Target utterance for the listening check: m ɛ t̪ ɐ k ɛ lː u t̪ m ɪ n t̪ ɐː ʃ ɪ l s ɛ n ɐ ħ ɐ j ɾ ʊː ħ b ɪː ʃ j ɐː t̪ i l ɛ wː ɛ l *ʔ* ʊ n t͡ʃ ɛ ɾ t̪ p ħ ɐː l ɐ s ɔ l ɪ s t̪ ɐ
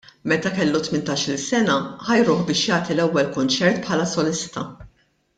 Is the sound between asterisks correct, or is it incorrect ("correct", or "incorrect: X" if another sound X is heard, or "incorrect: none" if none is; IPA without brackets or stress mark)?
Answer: incorrect: k